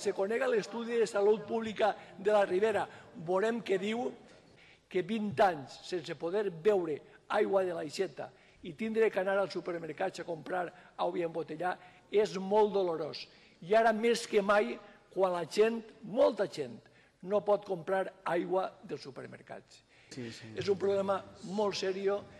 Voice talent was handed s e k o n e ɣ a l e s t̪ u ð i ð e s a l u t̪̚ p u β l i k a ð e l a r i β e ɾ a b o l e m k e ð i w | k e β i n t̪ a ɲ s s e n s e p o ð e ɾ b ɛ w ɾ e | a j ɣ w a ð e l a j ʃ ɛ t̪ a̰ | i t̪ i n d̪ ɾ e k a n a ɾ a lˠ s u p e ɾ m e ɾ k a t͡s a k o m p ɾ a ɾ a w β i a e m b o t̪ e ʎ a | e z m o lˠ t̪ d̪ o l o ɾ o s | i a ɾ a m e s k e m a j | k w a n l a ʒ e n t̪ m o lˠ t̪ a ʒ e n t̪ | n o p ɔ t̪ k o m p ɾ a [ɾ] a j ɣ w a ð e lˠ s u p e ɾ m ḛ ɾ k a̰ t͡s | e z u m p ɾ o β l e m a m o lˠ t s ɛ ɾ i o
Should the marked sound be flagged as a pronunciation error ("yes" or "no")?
no